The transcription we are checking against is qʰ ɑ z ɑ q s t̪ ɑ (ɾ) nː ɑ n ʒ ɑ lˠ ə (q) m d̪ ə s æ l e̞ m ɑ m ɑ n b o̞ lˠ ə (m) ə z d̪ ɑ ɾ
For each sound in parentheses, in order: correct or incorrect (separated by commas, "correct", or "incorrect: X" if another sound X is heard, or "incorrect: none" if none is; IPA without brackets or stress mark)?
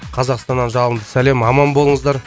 incorrect: none, incorrect: none, incorrect: ɴ